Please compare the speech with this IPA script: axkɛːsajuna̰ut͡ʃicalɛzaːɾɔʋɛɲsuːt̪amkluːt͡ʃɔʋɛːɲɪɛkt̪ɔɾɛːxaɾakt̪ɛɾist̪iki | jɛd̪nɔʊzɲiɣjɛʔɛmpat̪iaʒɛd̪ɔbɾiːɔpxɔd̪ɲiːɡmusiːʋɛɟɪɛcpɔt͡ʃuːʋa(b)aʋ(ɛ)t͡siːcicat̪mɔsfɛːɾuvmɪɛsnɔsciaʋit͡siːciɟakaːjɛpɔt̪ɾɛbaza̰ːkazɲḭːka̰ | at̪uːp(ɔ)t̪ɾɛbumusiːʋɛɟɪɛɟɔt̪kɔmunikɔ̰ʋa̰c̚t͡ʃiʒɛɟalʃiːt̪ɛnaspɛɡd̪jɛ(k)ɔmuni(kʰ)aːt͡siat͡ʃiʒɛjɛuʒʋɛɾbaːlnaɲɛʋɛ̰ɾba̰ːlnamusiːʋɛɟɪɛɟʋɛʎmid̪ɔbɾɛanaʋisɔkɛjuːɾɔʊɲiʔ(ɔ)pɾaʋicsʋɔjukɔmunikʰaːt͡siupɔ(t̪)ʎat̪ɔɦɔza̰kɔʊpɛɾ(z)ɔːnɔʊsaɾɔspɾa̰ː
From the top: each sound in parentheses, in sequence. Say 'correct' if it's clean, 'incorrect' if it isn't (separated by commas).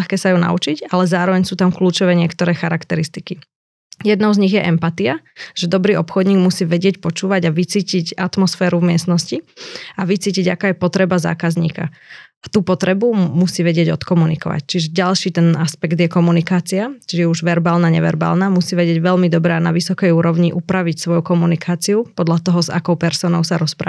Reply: incorrect, incorrect, correct, correct, incorrect, incorrect, incorrect, incorrect